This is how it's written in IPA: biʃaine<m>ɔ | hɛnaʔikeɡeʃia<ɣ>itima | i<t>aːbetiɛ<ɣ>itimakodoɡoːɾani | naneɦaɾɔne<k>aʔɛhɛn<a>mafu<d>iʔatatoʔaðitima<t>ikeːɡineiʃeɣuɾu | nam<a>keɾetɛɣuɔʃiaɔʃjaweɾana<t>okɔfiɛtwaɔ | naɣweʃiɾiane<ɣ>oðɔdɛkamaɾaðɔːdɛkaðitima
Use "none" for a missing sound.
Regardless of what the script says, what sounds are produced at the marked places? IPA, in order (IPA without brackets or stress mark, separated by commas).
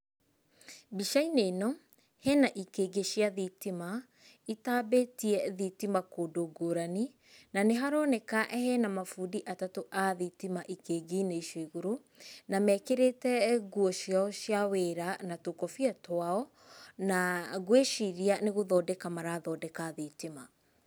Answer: n, ð, t, ð, k, a, d, ʔ, ɛ, t, ɣ